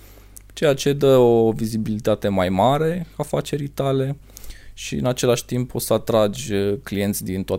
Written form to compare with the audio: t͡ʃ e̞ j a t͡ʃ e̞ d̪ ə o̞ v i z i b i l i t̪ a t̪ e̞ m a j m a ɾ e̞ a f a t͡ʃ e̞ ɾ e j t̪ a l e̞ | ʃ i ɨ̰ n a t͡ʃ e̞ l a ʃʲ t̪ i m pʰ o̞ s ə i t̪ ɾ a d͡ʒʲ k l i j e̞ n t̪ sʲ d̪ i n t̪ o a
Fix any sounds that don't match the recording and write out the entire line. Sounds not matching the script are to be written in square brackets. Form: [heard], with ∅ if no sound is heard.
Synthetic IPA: t͡ʃ e̞ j a t͡ʃ e̞ d̪ ə o̞ v i z i b i l i t̪ a t̪ e̞ m a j m a ɾ e̞ a f a t͡ʃ e̞ ɾ [i] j t̪ a l e̞ | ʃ i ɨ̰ n a t͡ʃ e̞ l a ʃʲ t̪ i m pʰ o̞ s ə [a] t̪ ɾ a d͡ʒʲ k l i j e̞ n t̪ sʲ d̪ i n t̪ o a